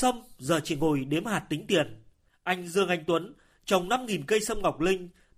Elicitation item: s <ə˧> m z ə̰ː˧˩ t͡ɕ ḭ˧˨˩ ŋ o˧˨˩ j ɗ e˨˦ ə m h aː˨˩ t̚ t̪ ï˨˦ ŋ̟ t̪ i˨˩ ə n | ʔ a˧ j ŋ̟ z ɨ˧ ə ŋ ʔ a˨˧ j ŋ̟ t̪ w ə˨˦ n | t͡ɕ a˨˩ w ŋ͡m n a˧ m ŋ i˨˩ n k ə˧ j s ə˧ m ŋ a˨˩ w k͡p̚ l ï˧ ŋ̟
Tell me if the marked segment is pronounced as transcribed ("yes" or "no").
yes